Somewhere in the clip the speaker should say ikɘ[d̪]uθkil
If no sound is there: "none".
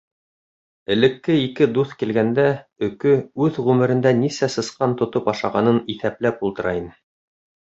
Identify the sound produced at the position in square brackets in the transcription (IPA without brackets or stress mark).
d̪